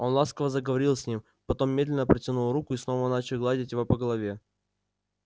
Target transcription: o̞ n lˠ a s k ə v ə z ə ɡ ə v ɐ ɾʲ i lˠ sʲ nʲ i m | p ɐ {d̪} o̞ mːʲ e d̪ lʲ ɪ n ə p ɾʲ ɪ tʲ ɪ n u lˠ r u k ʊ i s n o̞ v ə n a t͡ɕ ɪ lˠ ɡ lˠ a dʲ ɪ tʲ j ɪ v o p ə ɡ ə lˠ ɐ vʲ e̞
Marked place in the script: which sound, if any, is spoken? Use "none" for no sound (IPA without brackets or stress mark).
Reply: t̪